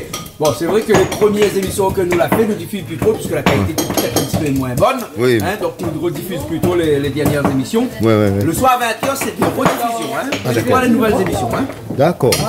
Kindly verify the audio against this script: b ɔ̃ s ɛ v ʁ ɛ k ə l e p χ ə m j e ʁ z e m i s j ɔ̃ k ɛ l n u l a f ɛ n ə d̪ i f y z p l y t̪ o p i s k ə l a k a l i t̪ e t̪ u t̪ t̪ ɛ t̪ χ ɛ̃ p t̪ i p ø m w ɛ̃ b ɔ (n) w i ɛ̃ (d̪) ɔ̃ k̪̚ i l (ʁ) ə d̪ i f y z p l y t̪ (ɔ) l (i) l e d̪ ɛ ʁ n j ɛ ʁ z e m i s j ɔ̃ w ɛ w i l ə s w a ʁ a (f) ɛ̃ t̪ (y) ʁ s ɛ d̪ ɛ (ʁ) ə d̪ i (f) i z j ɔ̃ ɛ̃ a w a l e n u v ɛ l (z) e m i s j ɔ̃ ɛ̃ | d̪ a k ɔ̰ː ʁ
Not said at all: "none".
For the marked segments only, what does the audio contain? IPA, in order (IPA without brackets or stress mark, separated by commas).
n, d̪, ʁ, o, e, v, œ, ʁ, f, z